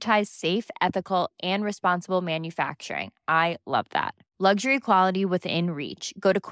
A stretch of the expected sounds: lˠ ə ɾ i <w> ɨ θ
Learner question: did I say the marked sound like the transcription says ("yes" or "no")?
yes